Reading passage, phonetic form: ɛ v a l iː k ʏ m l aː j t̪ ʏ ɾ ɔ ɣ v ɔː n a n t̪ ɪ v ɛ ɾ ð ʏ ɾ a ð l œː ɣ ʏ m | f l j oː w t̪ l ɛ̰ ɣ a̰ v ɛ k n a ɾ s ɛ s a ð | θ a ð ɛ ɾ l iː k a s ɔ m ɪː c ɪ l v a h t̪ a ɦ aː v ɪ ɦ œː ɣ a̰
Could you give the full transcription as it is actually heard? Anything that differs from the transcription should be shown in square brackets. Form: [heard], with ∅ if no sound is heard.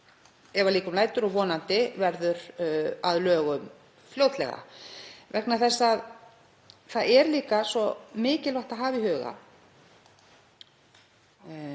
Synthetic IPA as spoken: ɛ v a l iː k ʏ m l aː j t̪ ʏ ɾ ɔ ɣ v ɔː n a n t̪ ɪ v ɛ ɾ ð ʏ ɾ a ð l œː ɣ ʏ m | f l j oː w t̪ l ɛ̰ ɣ a̰ v ɛ k n a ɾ [θ] ɛ [sː] a ð | θ a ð ɛ ɾ l iː k a s ɔ m ɪː c ɪ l v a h t̪ a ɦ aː v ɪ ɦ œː ɣ a̰